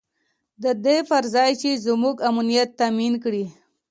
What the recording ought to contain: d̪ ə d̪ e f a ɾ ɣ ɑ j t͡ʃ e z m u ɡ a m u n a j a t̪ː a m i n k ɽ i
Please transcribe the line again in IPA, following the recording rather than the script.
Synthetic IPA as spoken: d̪ ə d̪ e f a ɾ z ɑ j t͡ʃ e z m u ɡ a m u n i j a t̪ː a m i n k ɽ i

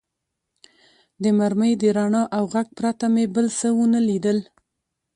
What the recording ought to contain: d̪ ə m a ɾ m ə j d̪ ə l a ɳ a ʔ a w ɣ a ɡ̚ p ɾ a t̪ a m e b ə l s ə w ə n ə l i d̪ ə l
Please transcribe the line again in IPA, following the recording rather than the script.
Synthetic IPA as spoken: d̪ ə m a ɾ m ə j d̪ ə ɾ a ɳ ɑ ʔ a w ɣ a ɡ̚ p ɾ a t̪ a m e b ə l s ə w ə n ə l i d̪ ə l

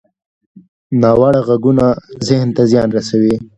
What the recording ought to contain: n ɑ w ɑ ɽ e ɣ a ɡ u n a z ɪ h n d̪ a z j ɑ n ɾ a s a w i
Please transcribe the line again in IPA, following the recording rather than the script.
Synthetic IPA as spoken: n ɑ w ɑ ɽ a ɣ a ɡ u n a z ɪ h n t̪ a z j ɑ n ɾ a s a w i

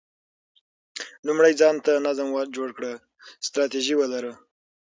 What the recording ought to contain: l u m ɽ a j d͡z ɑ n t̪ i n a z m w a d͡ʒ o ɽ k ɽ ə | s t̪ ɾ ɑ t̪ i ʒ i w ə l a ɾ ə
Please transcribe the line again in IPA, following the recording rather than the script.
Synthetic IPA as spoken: l u m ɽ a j d͡z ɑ n t̪ a n a z m w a d͡ʒ o ɽ k ɽ ə | s t̪ ɾ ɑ t̪ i ʒ i w ə l a ɾ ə

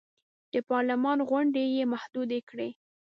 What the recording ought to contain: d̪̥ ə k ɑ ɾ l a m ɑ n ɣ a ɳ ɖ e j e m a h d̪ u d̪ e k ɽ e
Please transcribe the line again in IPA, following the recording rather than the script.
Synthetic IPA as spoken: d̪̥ ə p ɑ ɾ l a m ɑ n ɣ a ɳ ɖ e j e m a h d̪ u d̪ e k ɽ e

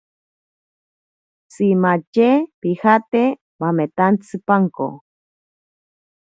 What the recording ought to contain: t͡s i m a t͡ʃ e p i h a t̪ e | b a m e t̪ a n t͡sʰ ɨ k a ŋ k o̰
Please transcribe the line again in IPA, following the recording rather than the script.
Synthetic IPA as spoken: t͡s i m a t͡ʃ e p i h a t̪ e | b a m e t̪ a n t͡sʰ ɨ p a ŋ k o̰

